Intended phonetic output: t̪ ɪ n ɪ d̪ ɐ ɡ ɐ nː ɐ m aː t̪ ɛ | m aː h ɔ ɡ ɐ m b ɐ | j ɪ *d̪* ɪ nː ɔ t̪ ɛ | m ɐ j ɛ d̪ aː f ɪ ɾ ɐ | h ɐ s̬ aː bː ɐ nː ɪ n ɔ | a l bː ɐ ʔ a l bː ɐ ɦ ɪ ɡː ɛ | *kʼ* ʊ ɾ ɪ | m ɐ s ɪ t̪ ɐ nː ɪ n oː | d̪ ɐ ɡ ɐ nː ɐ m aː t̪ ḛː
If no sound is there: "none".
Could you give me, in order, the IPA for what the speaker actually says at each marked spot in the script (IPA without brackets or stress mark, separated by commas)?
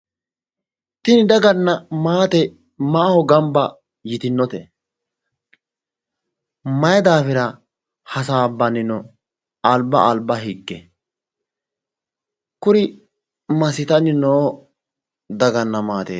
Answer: t̪, k